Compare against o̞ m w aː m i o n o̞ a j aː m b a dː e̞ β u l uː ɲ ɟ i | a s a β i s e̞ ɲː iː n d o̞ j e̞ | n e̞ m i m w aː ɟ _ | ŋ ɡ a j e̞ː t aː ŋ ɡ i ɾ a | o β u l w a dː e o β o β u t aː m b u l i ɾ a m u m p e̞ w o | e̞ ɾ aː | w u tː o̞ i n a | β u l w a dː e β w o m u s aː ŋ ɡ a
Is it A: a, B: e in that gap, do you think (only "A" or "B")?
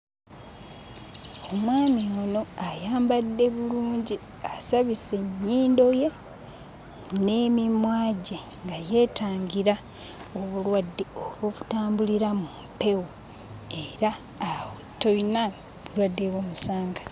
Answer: B